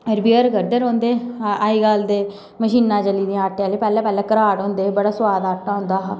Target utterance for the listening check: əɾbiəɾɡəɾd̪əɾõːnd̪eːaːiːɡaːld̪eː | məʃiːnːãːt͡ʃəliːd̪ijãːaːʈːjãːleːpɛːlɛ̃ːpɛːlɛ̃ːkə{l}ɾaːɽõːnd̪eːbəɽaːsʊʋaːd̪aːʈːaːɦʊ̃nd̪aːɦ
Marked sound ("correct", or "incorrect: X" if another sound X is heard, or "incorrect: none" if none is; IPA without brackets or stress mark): incorrect: none